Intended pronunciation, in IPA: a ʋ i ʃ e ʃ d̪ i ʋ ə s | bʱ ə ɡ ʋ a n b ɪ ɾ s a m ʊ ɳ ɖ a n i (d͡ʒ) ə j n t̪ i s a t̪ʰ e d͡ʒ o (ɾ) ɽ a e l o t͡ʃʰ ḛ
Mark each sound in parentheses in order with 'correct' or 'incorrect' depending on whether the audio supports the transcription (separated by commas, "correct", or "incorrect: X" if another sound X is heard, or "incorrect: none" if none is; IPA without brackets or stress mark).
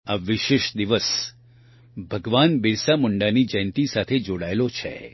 correct, incorrect: none